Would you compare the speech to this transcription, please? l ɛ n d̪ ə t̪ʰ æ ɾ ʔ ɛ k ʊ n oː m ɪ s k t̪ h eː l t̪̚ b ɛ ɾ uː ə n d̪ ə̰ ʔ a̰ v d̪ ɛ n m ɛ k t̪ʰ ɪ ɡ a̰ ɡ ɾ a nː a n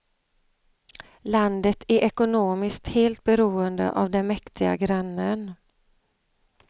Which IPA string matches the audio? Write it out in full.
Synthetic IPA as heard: l a n d̪ ə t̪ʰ æ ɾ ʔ ɛ k ʊ n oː m ɪ s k t̪ h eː l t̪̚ b ɛ ɾ uː ə n d̪ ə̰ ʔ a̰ v d̪ ɛ n m ɛ k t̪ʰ ɪ ɡ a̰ ɡ ɾ a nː ə n